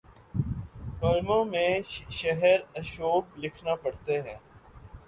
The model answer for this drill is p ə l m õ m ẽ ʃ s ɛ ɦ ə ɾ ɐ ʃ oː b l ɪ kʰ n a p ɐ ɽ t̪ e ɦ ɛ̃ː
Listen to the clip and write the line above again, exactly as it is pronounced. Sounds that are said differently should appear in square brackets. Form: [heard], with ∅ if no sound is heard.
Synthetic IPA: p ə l m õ m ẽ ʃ [ʃ] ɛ ɦ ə ɾ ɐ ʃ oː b l ɪ kʰ n a p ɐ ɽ t̪ e ɦ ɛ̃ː